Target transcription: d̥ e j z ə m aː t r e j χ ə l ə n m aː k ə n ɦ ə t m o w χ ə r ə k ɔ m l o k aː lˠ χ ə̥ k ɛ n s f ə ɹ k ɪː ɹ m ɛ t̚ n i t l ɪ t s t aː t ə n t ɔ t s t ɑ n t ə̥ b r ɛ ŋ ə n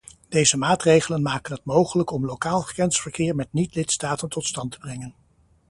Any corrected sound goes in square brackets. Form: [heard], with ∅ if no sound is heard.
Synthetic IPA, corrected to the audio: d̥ e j z ə m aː t r e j χ ə l ə n m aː k ə n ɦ ə t m o w χ ə [l] ə k ɔ m l o k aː lˠ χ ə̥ k ɛ n s f ə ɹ k ɪː ɹ m ɛ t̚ n i t l ɪ t s t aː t ə n t ɔ t s t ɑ n t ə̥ b r ɛ ŋ ə n